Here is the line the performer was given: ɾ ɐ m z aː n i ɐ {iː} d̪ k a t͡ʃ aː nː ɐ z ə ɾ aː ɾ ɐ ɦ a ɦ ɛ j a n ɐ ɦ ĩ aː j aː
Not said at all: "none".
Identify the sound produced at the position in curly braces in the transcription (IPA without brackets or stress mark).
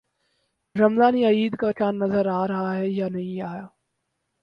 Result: iː